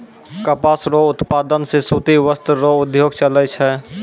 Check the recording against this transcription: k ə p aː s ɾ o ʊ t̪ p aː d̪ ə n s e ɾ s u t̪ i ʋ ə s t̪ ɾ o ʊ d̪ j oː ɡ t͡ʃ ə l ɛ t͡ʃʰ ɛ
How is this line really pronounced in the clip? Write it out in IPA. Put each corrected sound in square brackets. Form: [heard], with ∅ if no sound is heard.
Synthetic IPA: k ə p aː s ɾ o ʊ t̪ p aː d̪ ə n s e [∅] s u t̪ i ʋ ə s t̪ ɾ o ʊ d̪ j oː ɡ t͡ʃ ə l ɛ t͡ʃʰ ɛ